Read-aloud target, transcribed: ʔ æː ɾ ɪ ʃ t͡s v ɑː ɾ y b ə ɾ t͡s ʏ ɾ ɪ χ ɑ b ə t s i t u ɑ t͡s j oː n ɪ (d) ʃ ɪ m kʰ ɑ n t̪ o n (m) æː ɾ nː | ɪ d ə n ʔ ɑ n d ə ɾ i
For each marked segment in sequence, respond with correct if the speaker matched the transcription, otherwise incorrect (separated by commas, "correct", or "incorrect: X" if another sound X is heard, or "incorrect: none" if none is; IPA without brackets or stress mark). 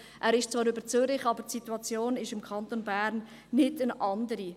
incorrect: none, incorrect: b